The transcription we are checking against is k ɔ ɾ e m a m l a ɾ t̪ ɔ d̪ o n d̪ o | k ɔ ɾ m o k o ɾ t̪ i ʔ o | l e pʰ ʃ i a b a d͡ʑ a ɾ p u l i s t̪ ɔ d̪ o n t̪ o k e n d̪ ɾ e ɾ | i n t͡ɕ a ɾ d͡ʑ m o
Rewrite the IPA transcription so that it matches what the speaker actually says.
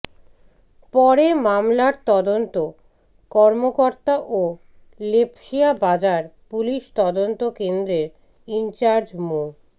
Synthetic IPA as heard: p ɔ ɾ e m a m l a ɾ t̪ ɔ d̪ o n t̪ o | k ɔ ɾ m o k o ɾ t̪ a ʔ o | l e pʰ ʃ i a b a d͡ʑ a ɾ p u l i ʃ t̪ ɔ d̪ o n t̪ o k e n d̪ ɾ e ɾ | i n t͡ɕ a ɾ d͡ʑ m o